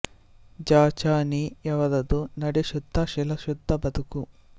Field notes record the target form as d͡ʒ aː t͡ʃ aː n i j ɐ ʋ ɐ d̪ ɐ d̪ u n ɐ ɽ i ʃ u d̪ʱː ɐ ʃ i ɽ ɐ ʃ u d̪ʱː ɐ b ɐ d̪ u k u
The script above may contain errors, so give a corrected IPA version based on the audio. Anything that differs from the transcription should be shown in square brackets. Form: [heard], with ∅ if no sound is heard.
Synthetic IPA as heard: d͡ʒ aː t͡ʃ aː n i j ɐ ʋ ɐ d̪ ɐ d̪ u n ɐ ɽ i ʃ u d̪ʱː ɐ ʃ i [l] ɐ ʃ u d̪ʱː ɐ b ɐ d̪ u k u